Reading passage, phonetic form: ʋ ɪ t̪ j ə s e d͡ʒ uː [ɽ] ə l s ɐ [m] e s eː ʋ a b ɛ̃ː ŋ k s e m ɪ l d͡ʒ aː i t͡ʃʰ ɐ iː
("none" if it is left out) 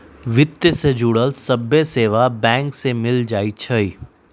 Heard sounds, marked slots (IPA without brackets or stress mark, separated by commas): ɽ, b